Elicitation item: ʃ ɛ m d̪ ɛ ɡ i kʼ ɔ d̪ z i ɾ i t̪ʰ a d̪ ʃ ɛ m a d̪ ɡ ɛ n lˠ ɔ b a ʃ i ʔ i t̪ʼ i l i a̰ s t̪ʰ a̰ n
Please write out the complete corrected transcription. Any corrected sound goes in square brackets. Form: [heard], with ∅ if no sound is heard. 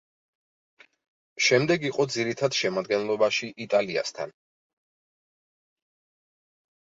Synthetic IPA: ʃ ɛ m d̪ ɛ ɡ i [qʼ] ɔ d̪ z i ɾ i t̪ʰ a d̪ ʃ ɛ m a d̪ ɡ ɛ n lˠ ɔ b a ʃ i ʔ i t̪ʼ [a] l i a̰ s t̪ʰ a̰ n

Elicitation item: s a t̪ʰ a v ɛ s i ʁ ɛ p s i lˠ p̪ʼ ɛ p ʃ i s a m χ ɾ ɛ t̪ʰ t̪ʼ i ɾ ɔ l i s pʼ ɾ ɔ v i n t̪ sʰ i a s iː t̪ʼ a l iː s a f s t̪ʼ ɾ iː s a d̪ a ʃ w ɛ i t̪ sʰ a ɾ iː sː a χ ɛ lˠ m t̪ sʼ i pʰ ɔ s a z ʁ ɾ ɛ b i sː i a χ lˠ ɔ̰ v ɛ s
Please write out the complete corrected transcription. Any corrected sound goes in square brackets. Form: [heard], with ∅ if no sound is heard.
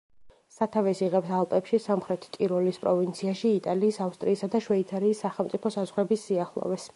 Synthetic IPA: s a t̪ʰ a v ɛ s i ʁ ɛ p s [a] lˠ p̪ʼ ɛ p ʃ i s a m χ ɾ ɛ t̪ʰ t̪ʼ i ɾ ɔ l i s pʼ ɾ ɔ v i n t̪ sʰ i a [ʃ] iː t̪ʼ a l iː s a f s t̪ʼ ɾ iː s a d̪ a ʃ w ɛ i t̪ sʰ a ɾ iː sː a χ ɛ lˠ m t̪ sʼ i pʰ ɔ s a z ʁ ɾ ɛ b i sː i a χ lˠ ɔ̰ v ɛ s

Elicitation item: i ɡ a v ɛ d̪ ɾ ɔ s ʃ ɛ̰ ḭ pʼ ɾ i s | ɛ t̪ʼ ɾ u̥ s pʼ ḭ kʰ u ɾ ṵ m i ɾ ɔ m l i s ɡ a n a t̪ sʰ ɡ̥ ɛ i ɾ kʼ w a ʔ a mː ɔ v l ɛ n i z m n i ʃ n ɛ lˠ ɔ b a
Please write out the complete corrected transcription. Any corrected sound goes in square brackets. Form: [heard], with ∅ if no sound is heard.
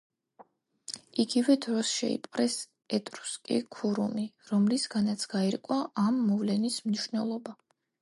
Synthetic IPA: i ɡ [i] v ɛ d̪ ɾ ɔ s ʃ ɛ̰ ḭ pʼ ɾ [ɛ] s | ɛ t̪ʼ ɾ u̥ s [kʼ] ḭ kʰ u ɾ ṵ m i ɾ ɔ m l i s ɡ a n a t̪ sʰ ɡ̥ [a] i ɾ kʼ w a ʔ a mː ɔ v l ɛ n i [s] m n i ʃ n ɛ lˠ ɔ b a

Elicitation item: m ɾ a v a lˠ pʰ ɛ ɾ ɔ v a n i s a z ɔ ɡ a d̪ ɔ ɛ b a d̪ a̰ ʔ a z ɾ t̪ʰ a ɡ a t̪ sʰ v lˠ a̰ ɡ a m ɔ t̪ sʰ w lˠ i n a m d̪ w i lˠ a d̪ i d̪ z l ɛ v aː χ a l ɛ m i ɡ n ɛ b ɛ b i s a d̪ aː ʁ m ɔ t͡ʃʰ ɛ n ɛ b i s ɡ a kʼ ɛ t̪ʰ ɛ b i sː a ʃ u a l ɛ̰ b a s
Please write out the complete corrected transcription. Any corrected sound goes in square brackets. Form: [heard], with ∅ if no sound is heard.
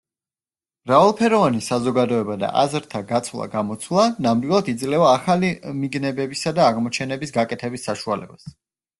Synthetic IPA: m ɾ a v a lˠ pʰ ɛ ɾ ɔ v a n i s a z ɔ ɡ a d̪ ɔ ɛ b a d̪ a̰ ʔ a z ɾ t̪ʰ a ɡ a t̪ sʰ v lˠ a̰ ɡ a m ɔ t̪ sʰ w lˠ [a] n a m d̪ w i lˠ a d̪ i d̪ z l ɛ v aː χ a l [i] m i ɡ n ɛ b ɛ b i s a d̪ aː ʁ m ɔ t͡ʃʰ ɛ n ɛ b i s ɡ a kʼ ɛ t̪ʰ ɛ b i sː a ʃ u a l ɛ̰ b a s

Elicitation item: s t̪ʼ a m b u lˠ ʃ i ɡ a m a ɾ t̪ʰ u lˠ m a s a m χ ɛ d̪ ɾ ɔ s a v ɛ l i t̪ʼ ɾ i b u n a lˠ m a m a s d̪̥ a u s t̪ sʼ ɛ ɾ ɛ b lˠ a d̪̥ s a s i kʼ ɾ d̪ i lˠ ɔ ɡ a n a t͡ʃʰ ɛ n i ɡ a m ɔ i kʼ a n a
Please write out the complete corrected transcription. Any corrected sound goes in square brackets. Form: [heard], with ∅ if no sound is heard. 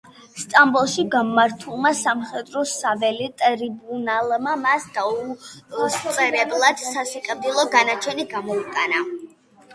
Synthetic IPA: s t̪ʼ a m b u lˠ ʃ i ɡ a m a ɾ t̪ʰ u lˠ m a s a m χ ɛ d̪ ɾ ɔ s a v ɛ l i t̪ʼ ɾ i b u n a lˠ m a m a s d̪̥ a u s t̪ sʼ ɛ ɾ ɛ b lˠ a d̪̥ s a s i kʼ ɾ d̪ i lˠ ɔ ɡ a n a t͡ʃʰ ɛ n i ɡ a m ɔ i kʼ a n a

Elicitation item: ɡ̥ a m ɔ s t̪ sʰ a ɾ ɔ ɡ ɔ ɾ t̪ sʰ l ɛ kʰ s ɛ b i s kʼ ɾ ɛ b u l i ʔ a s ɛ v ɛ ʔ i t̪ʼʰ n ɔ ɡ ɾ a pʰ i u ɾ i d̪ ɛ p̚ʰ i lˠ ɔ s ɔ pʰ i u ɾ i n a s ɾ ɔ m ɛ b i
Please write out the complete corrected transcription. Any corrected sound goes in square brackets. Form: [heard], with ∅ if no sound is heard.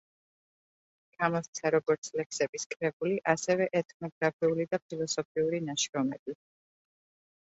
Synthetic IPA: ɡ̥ a m ɔ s t̪ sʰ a ɾ ɔ ɡ ɔ ɾ t̪ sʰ l ɛ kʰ s ɛ b i s kʼ ɾ ɛ b u l i ʔ a s ɛ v ɛ ʔ [ɛ] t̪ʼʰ n ɔ ɡ ɾ a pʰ i u [l] i d̪ [a] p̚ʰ i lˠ ɔ s ɔ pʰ i u ɾ i n a [ʃ] ɾ ɔ m ɛ b i

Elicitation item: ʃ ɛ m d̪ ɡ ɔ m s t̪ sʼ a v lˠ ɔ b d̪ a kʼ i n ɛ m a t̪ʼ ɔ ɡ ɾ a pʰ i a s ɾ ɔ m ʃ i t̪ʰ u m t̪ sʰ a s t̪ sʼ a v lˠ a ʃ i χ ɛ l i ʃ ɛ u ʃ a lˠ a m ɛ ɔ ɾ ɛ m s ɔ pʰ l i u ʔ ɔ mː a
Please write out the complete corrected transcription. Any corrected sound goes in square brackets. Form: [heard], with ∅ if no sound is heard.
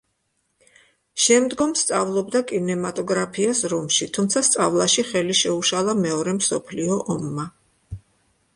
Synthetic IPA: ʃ ɛ m d̪ ɡ ɔ m s t̪ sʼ a v lˠ ɔ b d̪ a kʼ i n ɛ m a t̪ʼ ɔ ɡ ɾ a pʰ i a s ɾ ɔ m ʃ i t̪ʰ u m t̪ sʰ a s t̪ sʼ a v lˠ a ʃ i χ ɛ l i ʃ ɛ u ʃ a lˠ a m ɛ ɔ ɾ ɛ m s ɔ pʰ l i [ɔ] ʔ ɔ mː a

